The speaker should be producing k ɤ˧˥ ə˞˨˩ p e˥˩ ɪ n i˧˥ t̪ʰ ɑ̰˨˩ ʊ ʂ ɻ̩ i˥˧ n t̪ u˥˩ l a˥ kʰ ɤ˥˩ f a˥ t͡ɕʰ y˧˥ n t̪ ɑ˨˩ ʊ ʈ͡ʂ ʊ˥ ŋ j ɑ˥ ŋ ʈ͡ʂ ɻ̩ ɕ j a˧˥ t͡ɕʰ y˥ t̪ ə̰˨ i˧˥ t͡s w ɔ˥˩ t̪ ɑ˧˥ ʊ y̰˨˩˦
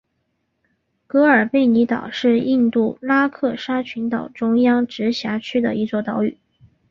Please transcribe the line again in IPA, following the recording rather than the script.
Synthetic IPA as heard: k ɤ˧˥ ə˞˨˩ p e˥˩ ɪ n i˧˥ t̪ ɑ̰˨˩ ʊ ʂ ɻ̩ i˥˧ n t̪ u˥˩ l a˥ kʰ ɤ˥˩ ʂ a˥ t͡ɕʰ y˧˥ n t̪ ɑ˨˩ ʊ ʈ͡ʂ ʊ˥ ŋ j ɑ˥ ŋ ʈ͡ʂ ɻ̩ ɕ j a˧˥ t͡ɕʰ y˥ d̪ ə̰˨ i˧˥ t͡s w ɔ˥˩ t̪ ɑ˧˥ ʊ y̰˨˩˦

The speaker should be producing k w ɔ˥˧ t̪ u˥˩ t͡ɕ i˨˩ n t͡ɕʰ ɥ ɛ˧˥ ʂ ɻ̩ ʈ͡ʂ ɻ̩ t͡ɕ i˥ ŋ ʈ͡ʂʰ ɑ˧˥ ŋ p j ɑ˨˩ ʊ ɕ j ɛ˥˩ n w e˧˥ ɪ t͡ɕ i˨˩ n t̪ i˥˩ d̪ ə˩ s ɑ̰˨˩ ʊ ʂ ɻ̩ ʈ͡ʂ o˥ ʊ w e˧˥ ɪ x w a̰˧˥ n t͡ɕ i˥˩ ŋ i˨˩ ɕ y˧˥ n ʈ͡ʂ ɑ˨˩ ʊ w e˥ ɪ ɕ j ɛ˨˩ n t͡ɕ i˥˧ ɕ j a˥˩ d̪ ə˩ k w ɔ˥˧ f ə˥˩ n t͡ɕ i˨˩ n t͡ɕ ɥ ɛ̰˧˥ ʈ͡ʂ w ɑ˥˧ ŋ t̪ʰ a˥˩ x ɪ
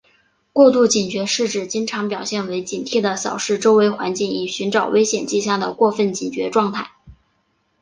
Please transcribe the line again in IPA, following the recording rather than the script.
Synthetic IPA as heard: k w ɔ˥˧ t̪ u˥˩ t͡ɕ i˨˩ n t͡ɕ ɥ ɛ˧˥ ʂ ɻ̩ ʈ͡ʂ ɻ̩ t͡ɕ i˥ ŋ ʈ͡ʂʰ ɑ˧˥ ŋ p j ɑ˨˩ ʊ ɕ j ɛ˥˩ n w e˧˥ ɪ t͡ɕ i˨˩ n t̪ʰ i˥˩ d̪ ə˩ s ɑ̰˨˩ ʊ ʂ ɻ̩ ʈ͡ʂ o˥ ʊ w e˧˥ ɪ x w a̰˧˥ n t͡ɕ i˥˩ ŋ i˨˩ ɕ y˧˥ n ʈ͡ʂ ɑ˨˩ ʊ w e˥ ɪ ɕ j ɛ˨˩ n t͡ɕ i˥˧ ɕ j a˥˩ d̪ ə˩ k w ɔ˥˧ f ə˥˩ n t͡ɕ i˨˩ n t͡ɕ ɥ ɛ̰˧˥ ʈ͡ʂ w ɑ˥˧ ŋ t̪ʰ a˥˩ ɪ

